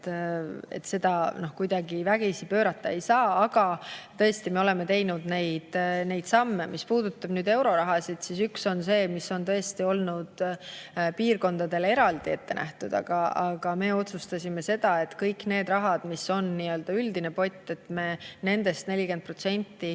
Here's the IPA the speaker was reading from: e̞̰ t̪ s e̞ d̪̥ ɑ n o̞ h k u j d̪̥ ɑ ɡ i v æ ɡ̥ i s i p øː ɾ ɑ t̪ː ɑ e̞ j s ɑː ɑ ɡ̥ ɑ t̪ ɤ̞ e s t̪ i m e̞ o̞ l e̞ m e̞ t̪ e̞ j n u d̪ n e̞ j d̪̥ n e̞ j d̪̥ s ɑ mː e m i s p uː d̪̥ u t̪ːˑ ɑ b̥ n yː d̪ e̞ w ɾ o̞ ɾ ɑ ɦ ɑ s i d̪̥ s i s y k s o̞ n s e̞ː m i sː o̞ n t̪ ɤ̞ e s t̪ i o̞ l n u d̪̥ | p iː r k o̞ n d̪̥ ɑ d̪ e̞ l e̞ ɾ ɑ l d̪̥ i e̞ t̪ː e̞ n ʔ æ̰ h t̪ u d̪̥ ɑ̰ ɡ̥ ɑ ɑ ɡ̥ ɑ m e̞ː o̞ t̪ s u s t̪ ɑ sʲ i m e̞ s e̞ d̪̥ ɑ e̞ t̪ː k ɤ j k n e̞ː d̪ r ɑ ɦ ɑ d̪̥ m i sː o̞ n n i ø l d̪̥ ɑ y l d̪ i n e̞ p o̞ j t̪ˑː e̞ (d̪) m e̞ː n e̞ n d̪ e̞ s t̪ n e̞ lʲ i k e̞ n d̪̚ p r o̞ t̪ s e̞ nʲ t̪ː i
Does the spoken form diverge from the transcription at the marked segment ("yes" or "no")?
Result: yes